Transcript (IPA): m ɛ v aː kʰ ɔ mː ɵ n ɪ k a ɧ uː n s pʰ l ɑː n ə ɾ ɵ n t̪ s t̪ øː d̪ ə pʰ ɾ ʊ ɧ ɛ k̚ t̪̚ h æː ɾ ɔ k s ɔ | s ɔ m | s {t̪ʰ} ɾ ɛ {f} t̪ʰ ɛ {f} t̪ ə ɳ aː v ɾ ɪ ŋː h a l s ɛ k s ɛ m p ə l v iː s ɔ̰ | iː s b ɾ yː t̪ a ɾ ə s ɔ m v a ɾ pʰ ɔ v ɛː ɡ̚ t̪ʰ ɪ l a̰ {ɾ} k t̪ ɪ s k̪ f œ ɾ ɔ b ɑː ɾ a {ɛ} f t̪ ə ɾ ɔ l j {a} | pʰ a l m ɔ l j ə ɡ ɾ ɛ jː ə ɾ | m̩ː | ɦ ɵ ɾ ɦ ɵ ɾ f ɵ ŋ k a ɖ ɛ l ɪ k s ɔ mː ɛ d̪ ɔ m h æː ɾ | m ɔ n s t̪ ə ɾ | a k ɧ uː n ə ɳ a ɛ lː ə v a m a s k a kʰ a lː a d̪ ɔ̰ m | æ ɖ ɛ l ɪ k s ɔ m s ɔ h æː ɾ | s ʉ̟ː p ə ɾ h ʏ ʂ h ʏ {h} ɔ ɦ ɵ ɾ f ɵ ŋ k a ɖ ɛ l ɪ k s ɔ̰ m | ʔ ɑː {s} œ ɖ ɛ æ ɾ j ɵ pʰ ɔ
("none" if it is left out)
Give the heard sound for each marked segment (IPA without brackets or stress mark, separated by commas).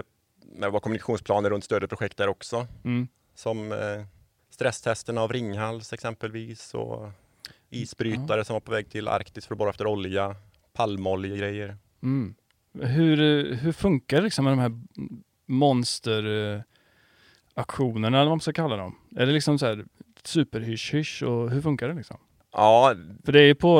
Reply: t̪, s, s, ɾ, ɛ, a, ʂ, f